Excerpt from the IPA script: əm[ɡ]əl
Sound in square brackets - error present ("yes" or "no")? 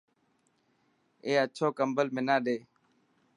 yes